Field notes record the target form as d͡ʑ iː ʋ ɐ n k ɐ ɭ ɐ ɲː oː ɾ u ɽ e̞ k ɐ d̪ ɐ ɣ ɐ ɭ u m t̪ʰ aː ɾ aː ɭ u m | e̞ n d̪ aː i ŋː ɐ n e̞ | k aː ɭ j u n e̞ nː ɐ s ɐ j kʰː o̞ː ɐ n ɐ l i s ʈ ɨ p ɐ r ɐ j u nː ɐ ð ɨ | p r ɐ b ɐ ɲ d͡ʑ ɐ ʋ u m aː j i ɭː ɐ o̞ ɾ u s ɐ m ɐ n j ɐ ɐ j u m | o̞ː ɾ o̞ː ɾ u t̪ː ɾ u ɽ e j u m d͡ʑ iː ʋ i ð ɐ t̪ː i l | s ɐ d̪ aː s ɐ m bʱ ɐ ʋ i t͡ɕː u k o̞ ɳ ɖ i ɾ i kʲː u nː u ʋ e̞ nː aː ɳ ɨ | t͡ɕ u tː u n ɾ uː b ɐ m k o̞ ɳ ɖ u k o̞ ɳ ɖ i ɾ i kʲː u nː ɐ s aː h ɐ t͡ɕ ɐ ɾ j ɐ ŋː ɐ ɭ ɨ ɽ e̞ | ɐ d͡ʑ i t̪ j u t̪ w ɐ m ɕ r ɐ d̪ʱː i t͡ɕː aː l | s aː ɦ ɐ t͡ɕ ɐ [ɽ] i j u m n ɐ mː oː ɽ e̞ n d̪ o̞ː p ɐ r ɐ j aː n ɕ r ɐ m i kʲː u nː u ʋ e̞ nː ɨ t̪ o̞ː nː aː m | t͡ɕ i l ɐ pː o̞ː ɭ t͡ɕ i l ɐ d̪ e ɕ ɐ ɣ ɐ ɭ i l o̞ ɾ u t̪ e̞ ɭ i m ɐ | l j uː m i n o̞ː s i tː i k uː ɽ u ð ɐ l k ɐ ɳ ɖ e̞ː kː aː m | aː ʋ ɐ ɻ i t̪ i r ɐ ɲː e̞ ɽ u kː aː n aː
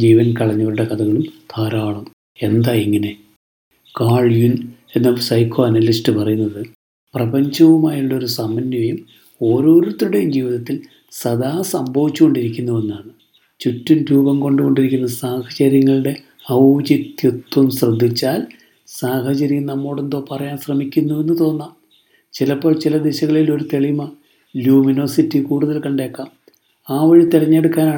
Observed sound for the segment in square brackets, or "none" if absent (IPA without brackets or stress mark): ɾ